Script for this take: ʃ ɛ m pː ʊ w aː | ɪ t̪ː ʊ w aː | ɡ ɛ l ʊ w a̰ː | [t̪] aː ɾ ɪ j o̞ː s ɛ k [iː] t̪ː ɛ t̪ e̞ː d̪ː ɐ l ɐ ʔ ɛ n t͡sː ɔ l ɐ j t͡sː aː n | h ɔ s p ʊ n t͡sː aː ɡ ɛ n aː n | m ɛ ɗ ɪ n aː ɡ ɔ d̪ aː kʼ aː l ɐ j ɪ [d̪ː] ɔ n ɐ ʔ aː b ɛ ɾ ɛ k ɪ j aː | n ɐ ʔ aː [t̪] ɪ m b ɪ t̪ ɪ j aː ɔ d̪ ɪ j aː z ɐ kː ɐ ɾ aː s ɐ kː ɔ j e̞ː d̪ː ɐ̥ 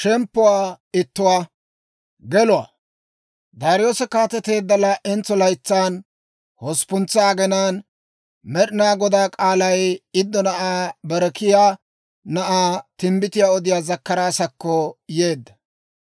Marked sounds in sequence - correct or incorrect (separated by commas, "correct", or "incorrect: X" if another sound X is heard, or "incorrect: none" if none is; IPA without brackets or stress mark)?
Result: incorrect: d̪, incorrect: aː, correct, correct